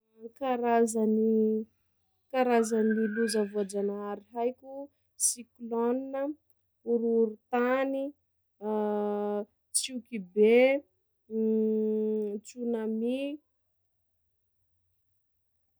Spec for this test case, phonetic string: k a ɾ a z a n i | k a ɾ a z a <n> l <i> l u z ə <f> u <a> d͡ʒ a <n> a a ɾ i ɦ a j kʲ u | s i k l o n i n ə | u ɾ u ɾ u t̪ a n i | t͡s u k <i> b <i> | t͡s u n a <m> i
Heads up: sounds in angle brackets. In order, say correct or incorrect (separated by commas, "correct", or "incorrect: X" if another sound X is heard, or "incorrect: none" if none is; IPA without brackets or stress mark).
correct, correct, incorrect: v, correct, correct, correct, incorrect: e, correct